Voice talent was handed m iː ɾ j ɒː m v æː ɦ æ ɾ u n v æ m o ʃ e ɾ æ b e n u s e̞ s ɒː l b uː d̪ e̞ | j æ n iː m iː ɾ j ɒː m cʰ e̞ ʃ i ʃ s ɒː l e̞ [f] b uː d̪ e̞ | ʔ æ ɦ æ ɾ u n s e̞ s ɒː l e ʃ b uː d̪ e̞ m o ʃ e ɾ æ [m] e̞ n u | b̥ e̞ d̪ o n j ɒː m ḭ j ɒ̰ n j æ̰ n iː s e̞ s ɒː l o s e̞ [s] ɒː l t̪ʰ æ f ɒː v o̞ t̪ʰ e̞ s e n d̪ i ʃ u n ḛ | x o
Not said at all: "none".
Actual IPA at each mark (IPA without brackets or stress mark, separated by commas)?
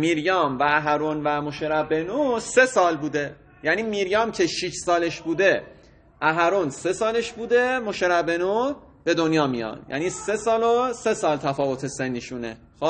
ʃ, b, s